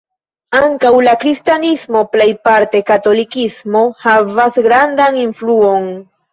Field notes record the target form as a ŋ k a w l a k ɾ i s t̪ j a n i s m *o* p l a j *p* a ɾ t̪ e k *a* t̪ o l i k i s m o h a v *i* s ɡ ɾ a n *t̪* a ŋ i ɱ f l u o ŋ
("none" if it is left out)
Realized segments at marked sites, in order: o, p, a, a, d̪

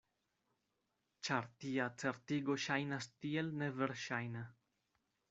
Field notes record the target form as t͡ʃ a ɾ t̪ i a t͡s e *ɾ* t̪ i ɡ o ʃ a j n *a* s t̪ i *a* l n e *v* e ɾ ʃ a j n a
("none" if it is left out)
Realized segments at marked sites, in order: ɾ, a, e, v

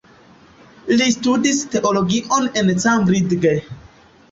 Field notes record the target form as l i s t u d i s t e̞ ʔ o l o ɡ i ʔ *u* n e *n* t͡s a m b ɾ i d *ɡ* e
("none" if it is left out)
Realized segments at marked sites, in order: o, n, ɡ

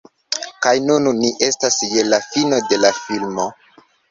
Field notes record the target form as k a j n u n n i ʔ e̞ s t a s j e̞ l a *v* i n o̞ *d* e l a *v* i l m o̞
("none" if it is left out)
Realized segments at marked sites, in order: f, d, f

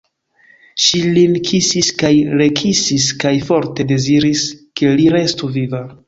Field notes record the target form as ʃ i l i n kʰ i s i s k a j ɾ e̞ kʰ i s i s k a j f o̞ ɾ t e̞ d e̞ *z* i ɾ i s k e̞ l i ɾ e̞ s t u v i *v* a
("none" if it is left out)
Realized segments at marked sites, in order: z, v

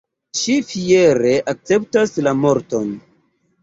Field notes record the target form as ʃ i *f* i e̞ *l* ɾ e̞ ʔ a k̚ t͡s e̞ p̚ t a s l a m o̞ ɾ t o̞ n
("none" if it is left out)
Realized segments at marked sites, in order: f, none

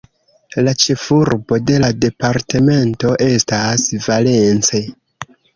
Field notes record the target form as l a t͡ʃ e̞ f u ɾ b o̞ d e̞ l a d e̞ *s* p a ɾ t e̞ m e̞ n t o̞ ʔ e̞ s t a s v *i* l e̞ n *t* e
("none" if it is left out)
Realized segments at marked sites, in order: none, a, t͡s

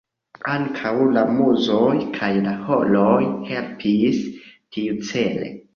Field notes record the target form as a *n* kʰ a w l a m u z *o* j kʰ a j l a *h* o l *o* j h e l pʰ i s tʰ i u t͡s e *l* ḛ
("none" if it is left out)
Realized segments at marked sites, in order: ŋ, o, h, o, l

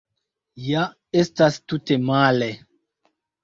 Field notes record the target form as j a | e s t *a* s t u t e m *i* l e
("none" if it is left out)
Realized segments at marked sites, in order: a, a

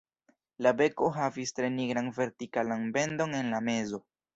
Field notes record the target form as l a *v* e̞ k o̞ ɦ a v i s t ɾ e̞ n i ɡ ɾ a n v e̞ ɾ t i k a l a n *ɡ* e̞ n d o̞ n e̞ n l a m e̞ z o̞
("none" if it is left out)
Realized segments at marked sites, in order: b, b

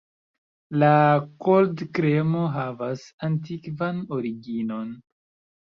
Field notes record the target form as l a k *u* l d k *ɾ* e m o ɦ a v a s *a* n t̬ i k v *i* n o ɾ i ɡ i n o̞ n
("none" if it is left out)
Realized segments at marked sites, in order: o, ɾ, a, a

